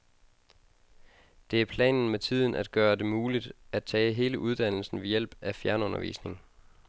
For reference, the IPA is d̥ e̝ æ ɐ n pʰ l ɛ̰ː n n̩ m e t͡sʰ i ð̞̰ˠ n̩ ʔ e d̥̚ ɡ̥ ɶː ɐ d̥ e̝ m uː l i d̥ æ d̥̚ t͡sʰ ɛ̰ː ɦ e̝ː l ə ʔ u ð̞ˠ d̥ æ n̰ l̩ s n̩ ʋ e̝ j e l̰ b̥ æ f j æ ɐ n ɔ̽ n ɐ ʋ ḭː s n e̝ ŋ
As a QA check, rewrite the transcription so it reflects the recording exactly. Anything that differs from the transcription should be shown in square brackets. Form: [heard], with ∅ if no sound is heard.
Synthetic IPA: d̥ e̝ æ ɐ [∅] pʰ l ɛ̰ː n n̩ m e t͡sʰ i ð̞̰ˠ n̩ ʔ [æ] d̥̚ ɡ̥ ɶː ɐ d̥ e̝ m uː l i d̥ æ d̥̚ t͡sʰ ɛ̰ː ɦ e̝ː l ə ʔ u ð̞ˠ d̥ æ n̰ l̩ s n̩ ʋ e̝ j e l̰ b̥ æ f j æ ɐ n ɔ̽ n ɐ ʋ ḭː s n e̝ ŋ